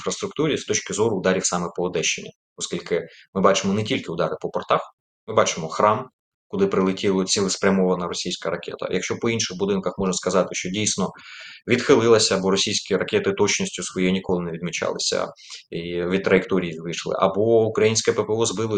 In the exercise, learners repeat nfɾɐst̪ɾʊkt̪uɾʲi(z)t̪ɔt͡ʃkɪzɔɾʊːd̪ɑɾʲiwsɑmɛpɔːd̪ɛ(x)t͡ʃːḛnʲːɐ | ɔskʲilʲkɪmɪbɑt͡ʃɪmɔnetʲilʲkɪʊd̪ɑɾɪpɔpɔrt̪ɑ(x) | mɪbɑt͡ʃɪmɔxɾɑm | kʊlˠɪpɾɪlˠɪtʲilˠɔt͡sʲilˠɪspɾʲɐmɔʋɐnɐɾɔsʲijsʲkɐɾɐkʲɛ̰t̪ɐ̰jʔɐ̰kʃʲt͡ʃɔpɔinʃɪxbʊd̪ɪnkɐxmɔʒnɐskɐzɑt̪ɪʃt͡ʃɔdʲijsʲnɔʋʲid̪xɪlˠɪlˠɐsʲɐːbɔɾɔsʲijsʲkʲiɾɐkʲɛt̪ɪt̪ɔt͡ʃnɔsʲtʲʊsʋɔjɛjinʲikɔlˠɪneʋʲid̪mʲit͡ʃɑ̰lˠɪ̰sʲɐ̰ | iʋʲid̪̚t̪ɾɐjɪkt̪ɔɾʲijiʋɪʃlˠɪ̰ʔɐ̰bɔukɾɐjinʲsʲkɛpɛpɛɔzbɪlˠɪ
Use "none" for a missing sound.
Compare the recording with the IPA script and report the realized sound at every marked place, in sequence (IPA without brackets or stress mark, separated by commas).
s, ʃ, x